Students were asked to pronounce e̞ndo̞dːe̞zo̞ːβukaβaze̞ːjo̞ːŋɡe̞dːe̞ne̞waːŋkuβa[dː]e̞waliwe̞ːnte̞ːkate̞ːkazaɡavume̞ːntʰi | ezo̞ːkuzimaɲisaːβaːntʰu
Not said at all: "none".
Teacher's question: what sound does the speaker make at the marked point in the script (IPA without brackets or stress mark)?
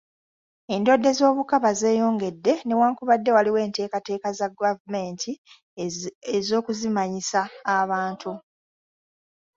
dː